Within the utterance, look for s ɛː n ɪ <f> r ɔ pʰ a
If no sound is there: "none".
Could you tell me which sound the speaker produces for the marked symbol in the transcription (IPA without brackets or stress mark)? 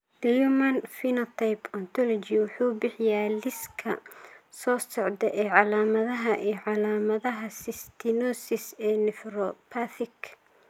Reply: f